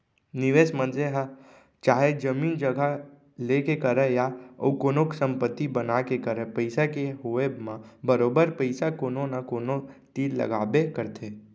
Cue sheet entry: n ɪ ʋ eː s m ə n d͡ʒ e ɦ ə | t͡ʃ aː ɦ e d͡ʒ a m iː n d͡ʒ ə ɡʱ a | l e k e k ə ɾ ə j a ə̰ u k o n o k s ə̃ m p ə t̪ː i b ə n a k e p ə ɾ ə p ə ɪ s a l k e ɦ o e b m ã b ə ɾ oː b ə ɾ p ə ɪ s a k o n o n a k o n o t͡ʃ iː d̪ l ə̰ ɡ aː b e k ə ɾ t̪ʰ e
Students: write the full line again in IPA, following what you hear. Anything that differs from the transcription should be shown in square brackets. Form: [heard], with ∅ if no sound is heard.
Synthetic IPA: n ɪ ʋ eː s m ə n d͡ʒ e ɦ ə | t͡ʃ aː ɦ e d͡ʒ [ə] m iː n d͡ʒ ə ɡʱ a | l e k e k ə ɾ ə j a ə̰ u k o n o k s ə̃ m p ə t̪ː i b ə n a k e [k] ə ɾ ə p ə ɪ s a [∅] k e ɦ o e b m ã b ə ɾ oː b ə ɾ p ə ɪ s a k o n o n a k o n o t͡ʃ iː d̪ l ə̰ ɡ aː b e k ə ɾ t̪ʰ e